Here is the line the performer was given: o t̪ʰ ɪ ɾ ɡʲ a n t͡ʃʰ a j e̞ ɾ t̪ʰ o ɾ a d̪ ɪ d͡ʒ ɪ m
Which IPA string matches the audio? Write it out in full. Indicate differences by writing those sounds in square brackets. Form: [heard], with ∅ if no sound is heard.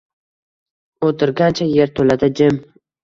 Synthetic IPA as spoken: o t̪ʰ ɪ ɾ ɡʲ a n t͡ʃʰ a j e̞ ɾ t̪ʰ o [l] a d̪ ɪ d͡ʒ ɪ m